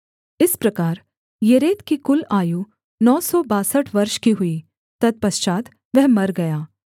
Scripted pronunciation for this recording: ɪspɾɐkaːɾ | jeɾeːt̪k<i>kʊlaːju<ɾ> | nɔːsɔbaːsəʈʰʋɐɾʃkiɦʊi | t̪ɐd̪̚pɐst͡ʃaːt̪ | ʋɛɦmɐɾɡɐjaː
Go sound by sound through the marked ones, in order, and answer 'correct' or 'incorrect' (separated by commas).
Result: correct, incorrect